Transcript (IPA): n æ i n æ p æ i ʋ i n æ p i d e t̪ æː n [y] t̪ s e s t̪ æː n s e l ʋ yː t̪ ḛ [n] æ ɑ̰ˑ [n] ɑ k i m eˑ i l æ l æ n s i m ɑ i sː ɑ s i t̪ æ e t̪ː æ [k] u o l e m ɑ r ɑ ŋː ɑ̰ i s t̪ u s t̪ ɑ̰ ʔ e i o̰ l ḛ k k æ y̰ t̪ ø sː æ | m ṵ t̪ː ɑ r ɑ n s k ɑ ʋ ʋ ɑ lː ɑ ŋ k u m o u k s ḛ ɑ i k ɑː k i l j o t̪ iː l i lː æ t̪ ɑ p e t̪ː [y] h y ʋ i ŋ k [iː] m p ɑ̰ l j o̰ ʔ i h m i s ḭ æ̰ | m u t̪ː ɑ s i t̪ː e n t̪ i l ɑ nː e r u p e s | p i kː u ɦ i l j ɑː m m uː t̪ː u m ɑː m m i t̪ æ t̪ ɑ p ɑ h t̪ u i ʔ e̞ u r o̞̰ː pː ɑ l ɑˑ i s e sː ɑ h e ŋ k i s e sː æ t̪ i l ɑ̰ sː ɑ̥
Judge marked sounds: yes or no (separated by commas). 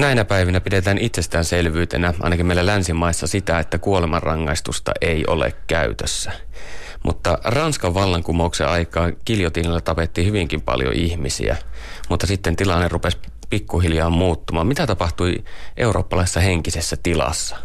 no, yes, yes, yes, no, no